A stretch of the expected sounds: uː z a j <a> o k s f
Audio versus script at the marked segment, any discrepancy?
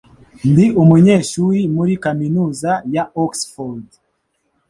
no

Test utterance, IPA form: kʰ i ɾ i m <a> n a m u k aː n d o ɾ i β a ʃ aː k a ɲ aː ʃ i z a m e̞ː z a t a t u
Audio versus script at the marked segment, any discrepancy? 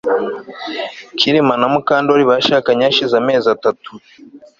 no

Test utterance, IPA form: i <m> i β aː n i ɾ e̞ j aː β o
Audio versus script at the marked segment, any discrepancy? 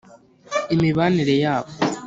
no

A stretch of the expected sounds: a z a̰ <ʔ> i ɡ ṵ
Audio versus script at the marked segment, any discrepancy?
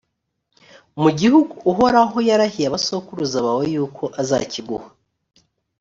yes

